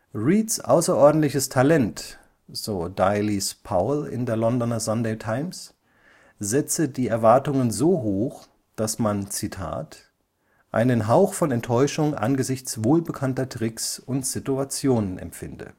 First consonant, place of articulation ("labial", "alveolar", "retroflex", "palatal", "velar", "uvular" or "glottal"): uvular